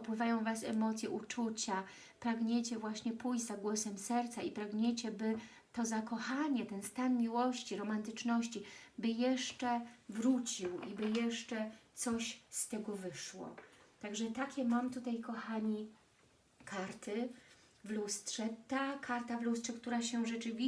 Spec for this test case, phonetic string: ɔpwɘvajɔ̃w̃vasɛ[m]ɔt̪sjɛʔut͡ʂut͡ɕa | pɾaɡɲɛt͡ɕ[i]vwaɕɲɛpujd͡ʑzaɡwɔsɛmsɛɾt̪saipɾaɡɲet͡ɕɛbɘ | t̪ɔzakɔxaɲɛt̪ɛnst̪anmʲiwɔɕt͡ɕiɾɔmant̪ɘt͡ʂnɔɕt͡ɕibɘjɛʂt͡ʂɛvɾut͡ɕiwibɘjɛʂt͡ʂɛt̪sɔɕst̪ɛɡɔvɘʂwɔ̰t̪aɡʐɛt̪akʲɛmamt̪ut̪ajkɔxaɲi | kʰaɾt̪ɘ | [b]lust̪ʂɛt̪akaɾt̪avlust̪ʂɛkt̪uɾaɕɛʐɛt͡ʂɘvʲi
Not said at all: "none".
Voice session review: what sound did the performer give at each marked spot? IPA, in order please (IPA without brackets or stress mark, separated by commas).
m, ɛ, v